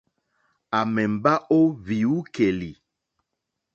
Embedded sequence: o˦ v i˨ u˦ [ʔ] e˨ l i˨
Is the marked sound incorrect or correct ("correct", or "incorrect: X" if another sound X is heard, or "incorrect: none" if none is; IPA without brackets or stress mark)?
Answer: incorrect: k